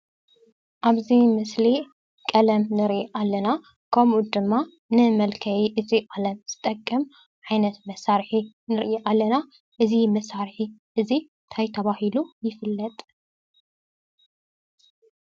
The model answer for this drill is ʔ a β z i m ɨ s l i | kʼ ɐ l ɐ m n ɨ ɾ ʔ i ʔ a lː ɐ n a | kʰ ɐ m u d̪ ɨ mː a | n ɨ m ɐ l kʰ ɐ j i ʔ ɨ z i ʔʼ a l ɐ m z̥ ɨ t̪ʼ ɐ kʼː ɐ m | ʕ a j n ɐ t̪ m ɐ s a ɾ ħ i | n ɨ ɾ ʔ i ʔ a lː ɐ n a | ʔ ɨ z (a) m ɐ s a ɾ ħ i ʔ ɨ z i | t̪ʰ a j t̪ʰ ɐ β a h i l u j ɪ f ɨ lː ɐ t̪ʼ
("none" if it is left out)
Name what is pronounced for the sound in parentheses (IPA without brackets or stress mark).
i